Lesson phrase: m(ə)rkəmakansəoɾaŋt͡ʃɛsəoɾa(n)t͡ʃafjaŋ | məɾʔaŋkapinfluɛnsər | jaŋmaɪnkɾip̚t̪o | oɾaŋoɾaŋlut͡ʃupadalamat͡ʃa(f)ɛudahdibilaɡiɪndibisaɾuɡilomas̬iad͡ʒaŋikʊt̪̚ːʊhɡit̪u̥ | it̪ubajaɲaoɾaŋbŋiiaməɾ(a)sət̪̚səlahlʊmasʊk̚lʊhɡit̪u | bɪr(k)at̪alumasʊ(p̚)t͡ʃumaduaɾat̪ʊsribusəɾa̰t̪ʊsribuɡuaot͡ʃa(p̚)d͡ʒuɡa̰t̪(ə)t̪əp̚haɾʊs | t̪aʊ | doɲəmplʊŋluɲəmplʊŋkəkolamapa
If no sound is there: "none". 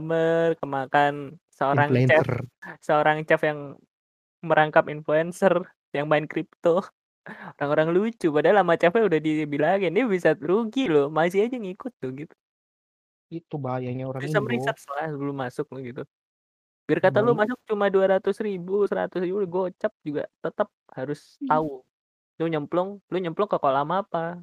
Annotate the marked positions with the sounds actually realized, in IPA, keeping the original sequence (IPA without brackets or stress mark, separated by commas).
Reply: ə, ŋ, f, i, k, k̚, p̚, ə